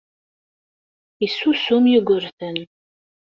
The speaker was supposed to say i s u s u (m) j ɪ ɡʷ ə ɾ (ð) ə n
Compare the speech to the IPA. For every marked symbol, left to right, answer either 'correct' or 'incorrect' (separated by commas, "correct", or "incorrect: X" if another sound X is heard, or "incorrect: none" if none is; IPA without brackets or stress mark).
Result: correct, incorrect: θ